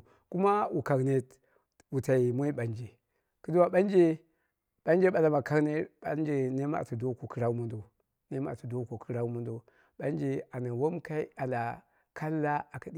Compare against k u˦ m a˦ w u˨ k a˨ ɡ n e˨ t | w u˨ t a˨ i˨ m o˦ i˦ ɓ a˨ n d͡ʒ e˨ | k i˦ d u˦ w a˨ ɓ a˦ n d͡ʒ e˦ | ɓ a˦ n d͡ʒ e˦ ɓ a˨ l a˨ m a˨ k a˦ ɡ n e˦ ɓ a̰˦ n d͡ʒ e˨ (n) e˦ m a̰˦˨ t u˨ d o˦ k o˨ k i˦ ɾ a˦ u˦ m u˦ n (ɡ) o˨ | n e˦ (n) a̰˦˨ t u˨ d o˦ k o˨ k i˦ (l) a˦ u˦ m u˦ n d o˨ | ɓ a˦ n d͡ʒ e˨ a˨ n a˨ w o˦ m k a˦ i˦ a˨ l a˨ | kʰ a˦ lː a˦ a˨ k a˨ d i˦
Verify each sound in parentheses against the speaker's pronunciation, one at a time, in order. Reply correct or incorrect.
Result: correct, incorrect, incorrect, incorrect

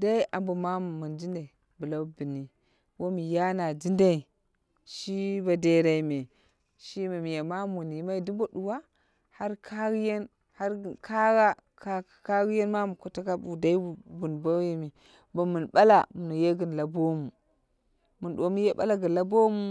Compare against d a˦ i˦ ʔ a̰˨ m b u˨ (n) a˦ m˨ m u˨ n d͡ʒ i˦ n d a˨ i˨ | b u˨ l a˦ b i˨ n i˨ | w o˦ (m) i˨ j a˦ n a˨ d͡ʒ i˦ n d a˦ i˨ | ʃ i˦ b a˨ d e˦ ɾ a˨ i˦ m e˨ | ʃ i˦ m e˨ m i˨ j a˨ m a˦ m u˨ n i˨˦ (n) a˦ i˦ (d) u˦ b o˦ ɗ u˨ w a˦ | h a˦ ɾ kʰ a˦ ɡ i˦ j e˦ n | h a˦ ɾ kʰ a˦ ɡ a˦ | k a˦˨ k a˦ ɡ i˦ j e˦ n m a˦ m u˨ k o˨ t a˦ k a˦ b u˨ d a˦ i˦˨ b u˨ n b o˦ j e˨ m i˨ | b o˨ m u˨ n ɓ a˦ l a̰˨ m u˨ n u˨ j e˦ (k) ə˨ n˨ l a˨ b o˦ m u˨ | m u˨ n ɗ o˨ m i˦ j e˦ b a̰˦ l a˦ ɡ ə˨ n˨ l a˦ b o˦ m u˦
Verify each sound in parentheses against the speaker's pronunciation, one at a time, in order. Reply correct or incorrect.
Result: incorrect, correct, incorrect, correct, incorrect

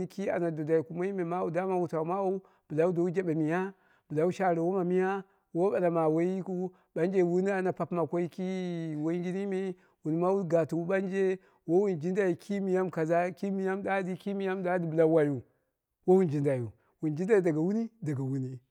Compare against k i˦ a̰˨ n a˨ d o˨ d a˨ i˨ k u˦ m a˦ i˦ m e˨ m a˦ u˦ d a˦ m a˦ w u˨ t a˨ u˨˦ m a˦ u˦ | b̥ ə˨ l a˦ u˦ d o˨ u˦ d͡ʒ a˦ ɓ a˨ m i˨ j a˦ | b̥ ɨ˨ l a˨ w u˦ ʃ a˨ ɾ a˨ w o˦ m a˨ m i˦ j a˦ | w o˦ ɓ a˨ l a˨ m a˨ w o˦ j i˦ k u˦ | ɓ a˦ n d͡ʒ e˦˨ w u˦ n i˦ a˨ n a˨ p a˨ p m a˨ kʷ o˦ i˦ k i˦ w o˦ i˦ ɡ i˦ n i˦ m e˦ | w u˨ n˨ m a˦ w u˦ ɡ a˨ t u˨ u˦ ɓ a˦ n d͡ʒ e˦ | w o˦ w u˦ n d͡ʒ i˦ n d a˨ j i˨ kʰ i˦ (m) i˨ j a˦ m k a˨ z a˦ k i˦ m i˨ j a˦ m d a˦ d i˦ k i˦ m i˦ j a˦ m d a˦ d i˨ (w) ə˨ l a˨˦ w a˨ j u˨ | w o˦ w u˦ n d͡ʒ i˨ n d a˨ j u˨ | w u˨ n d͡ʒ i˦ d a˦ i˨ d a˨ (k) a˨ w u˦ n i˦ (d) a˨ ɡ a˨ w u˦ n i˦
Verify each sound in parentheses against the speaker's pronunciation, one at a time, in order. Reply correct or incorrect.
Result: correct, incorrect, incorrect, correct

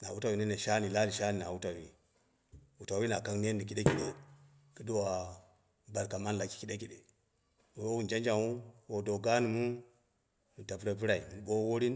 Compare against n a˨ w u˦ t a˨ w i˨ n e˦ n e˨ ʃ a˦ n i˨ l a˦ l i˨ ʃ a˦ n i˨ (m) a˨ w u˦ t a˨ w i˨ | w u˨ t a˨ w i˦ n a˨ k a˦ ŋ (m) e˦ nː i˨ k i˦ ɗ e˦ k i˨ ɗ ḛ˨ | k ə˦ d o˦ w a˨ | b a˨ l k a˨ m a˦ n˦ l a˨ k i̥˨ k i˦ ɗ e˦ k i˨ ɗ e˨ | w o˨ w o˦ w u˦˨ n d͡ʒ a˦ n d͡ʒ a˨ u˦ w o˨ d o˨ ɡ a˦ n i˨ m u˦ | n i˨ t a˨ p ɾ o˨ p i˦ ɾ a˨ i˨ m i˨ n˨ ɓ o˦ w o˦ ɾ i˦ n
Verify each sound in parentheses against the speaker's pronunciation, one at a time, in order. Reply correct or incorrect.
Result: incorrect, incorrect

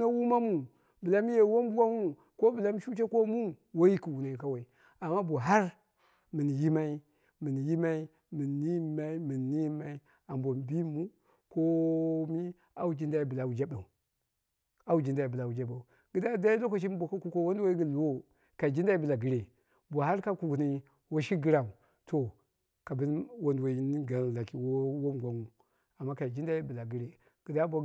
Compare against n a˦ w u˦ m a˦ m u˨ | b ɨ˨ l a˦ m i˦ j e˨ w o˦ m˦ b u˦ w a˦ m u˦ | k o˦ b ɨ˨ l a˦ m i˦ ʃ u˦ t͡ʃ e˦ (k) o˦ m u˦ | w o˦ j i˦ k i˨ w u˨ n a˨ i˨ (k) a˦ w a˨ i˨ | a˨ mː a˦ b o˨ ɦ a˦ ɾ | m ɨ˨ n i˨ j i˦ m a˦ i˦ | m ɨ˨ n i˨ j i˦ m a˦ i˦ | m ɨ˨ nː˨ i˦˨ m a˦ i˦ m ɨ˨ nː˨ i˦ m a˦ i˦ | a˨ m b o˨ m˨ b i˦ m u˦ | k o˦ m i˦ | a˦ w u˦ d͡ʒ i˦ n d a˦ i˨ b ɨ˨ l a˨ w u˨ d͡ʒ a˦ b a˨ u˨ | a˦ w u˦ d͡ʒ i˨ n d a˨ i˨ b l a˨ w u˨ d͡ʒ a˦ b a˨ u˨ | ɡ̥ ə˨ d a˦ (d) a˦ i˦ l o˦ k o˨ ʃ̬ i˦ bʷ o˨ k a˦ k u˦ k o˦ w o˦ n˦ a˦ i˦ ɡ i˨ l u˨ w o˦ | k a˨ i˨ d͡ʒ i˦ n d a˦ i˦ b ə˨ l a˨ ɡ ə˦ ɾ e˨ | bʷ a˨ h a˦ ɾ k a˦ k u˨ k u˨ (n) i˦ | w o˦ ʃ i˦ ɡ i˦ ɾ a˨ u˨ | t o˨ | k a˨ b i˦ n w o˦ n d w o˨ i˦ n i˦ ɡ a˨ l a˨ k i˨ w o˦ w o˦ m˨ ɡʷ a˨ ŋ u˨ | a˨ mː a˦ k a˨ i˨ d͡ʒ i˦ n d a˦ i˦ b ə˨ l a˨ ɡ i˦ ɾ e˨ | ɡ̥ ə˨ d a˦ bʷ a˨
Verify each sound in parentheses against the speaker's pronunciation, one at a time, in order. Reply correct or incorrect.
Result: correct, correct, correct, correct

